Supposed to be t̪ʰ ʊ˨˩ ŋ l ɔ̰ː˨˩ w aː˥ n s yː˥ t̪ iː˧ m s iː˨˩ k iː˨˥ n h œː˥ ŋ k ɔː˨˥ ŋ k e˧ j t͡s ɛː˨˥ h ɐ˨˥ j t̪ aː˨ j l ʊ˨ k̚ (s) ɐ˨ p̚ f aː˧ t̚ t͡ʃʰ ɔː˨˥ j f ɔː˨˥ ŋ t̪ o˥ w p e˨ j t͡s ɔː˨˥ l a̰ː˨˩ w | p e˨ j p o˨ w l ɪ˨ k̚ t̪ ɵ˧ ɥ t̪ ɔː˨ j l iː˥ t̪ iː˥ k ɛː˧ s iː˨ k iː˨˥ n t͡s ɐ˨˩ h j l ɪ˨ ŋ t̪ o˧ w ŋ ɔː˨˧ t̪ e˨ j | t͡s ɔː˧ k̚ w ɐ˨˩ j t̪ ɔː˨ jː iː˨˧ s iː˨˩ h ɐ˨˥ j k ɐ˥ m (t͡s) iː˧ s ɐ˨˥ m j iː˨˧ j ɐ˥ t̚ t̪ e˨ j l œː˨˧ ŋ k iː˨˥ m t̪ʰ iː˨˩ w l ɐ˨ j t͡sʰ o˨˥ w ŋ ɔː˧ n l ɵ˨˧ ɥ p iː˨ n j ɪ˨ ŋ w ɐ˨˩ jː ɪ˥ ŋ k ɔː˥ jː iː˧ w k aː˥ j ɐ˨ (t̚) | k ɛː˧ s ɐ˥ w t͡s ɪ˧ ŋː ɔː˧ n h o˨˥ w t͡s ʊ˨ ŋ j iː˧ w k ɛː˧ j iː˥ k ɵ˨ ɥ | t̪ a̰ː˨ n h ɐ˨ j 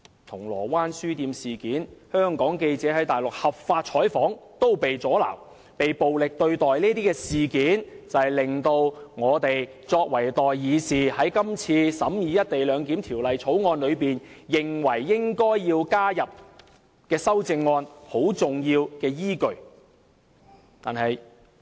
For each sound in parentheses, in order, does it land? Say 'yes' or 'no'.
no, no, no

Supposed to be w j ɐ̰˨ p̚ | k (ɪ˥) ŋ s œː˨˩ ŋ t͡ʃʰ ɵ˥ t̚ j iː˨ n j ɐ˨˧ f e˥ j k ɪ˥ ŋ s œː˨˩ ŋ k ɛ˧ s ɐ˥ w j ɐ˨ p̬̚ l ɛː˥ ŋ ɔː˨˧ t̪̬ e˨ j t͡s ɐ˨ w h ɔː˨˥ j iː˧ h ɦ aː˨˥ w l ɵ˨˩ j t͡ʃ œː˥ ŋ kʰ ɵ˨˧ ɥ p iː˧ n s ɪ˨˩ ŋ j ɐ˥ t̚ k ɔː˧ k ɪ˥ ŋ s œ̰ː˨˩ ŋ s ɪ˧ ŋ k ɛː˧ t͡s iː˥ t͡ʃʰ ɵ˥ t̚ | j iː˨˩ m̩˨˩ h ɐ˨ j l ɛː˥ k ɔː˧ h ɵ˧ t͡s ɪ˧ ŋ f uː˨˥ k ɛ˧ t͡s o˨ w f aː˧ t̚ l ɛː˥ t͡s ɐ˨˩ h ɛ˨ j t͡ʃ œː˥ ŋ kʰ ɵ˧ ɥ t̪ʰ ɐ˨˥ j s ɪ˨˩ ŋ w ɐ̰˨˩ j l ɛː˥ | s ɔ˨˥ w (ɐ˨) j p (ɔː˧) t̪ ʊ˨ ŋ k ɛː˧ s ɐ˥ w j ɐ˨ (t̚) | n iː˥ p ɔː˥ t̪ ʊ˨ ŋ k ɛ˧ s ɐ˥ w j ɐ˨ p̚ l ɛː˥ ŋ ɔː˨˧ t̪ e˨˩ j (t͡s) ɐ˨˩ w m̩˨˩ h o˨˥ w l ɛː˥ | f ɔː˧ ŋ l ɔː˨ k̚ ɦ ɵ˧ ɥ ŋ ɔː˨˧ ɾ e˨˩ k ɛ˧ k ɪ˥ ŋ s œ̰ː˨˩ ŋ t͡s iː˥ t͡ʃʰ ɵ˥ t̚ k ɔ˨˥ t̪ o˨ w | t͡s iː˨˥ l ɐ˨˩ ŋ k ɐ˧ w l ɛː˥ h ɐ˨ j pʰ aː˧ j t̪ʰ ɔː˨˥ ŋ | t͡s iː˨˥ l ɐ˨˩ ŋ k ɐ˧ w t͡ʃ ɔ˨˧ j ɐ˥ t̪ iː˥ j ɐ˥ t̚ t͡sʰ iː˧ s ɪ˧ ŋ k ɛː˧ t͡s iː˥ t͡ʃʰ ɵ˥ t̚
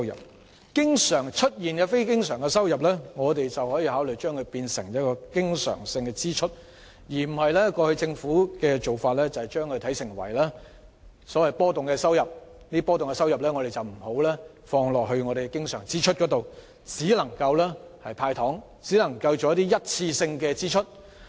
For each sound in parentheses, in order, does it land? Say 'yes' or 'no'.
yes, yes, no, no, yes

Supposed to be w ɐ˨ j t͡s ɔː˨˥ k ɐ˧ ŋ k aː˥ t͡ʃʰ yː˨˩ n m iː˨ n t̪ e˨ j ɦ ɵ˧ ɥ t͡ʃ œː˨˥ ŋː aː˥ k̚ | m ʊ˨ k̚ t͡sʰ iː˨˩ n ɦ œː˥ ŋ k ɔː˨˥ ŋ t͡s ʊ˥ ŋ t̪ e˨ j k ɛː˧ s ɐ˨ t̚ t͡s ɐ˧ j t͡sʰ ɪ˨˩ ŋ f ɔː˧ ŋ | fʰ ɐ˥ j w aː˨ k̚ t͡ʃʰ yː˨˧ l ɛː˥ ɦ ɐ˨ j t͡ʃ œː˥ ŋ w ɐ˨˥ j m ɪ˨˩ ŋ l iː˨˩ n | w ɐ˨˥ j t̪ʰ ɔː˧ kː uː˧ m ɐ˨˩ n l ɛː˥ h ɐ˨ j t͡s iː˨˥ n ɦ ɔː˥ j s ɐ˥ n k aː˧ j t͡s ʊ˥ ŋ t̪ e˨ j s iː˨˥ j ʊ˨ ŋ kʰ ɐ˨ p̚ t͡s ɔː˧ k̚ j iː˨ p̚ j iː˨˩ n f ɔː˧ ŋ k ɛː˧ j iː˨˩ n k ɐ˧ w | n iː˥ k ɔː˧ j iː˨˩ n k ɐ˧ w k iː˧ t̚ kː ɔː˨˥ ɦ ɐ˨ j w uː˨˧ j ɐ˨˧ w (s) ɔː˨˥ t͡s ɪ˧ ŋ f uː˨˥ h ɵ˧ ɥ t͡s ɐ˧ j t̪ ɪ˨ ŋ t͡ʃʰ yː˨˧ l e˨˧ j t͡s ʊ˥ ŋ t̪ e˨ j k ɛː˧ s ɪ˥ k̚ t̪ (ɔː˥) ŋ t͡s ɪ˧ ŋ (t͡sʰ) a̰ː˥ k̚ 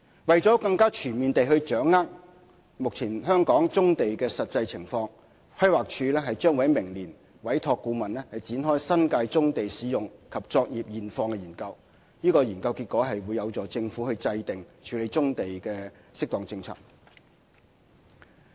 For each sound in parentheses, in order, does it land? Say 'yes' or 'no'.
no, no, yes

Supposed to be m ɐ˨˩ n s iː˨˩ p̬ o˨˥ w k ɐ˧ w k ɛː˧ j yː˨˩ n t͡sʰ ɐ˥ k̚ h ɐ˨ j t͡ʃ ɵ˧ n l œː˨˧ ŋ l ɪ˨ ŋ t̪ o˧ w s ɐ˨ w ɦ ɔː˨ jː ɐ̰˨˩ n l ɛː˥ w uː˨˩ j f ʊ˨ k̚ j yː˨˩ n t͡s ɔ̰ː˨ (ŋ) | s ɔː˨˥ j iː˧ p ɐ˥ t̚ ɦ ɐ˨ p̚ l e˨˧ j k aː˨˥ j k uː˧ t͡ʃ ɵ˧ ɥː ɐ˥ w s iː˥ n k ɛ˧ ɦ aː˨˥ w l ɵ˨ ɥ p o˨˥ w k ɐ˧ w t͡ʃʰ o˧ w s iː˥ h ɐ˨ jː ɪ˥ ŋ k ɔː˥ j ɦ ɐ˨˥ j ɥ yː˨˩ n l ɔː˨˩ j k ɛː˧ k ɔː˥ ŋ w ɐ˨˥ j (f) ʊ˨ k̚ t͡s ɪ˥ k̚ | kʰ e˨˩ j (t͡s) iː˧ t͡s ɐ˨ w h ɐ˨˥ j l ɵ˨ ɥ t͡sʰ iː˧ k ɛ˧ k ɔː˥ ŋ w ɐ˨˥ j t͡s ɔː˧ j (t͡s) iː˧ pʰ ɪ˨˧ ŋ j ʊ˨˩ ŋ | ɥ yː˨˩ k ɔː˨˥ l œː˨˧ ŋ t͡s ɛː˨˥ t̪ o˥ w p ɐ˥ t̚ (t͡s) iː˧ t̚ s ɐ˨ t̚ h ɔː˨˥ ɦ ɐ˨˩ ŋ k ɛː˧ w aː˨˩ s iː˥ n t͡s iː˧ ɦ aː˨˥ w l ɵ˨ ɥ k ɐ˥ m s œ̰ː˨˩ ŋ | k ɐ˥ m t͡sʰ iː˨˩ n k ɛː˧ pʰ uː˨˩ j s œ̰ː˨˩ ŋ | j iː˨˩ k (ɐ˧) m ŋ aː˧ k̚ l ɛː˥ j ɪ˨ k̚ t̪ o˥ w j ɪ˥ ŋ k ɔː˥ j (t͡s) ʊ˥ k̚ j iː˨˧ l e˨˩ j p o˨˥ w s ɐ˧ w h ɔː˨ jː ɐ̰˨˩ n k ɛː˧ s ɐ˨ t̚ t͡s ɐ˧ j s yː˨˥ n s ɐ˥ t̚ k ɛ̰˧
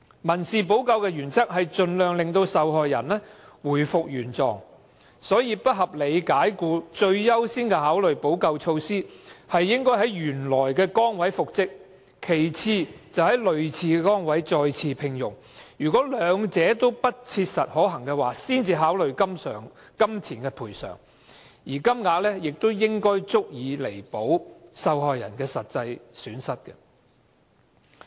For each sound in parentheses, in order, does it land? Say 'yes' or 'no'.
yes, yes, no, no, no, no, yes

